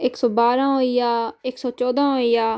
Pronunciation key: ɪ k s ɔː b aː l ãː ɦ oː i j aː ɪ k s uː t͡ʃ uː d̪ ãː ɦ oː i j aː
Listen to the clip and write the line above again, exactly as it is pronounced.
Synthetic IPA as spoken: ɪ k s ɔː b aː ɾ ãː ɦ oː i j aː ɪ k s ɔː t͡ʃ ɔː d̪ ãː ɦ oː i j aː